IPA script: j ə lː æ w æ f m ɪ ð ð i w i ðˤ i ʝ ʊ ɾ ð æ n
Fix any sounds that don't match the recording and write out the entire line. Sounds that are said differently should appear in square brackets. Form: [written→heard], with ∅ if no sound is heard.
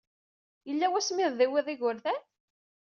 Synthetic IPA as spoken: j ə lː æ w æ [f→s] m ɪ ð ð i w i ðˤ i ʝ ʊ ɾ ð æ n